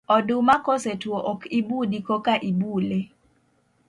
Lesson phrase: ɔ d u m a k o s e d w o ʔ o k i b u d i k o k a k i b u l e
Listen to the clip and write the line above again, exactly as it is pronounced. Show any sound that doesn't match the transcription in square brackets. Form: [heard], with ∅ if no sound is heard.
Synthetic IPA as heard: ɔ d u m a k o s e [t] w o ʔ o k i b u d i k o k a [ʔ] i b u l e